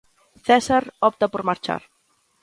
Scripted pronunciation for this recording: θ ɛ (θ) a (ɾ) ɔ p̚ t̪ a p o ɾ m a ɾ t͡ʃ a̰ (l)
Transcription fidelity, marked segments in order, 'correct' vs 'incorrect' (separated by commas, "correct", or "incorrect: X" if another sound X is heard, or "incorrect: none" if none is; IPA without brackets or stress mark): incorrect: s, correct, incorrect: ɾ